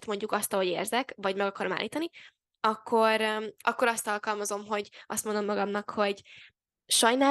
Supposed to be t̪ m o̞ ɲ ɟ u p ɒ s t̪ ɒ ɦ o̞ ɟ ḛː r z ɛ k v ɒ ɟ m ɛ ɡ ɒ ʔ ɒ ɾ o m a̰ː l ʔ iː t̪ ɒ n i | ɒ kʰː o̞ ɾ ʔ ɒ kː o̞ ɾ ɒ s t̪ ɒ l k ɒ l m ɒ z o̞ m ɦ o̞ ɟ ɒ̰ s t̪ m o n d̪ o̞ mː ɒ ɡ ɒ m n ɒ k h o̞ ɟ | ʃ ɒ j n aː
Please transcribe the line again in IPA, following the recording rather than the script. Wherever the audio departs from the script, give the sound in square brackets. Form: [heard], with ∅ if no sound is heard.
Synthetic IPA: t̪ m o̞ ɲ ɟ u [k] ɒ s t̪ ɒ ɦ o̞ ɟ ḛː r z ɛ k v ɒ ɟ m ɛ ɡ ɒ [k] ɒ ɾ o m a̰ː l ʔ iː t̪ ɒ n i | ɒ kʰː o̞ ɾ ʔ ɒ kː o̞ ɾ ɒ s t̪ ɒ l k ɒ l m ɒ z o̞ m ɦ o̞ ɟ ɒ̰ s t̪ m o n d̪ o̞ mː ɒ ɡ ɒ m n ɒ k h o̞ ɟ | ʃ ɒ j n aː